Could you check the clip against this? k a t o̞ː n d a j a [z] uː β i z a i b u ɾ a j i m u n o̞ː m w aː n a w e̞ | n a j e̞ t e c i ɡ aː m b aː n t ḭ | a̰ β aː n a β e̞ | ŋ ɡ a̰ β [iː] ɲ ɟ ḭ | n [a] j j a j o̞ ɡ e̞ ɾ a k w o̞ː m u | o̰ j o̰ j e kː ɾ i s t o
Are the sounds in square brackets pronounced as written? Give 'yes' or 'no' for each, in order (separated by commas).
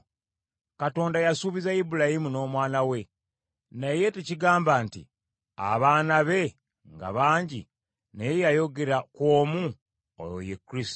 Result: no, no, no